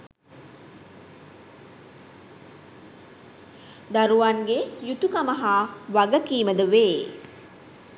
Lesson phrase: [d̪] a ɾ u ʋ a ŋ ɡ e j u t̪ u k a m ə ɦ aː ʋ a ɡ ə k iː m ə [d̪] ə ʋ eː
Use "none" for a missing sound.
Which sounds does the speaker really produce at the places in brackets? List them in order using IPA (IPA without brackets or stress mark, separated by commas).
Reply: d̪, d̪